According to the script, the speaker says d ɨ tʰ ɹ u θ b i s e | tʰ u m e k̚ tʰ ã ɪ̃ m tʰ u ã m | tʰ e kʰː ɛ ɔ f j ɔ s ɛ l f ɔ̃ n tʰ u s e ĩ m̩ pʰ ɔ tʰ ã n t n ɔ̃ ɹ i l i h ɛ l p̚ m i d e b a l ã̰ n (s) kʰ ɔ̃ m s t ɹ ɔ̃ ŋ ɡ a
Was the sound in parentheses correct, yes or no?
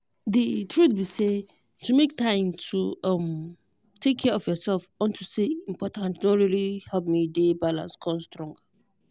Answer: yes